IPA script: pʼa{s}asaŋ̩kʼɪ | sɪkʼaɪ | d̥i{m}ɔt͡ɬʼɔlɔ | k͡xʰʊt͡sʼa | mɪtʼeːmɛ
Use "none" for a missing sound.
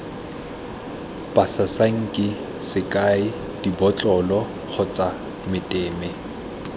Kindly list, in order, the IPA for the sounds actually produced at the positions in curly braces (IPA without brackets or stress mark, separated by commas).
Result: s, b